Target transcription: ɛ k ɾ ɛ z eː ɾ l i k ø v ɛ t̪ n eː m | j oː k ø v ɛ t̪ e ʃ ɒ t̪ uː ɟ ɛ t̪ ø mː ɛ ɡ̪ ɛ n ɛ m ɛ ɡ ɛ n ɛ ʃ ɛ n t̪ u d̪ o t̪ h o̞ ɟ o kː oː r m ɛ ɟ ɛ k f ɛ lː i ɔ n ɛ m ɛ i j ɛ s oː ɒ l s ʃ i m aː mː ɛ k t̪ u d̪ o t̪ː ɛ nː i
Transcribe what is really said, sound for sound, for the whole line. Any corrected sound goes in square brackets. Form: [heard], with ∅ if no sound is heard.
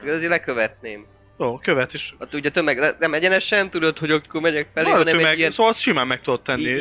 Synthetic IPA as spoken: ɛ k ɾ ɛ z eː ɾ l [ɛ] k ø v ɛ t̪ n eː m | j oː k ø v ɛ t̪ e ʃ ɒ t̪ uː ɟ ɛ t̪ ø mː ɛ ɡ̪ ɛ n ɛ m ɛ [ɟ] ɛ n ɛ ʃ ɛ n t̪ u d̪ o t̪ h o̞ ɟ o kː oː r m ɛ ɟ ɛ k f ɛ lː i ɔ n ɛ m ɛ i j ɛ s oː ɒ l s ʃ i m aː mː ɛ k t̪ u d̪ o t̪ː ɛ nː i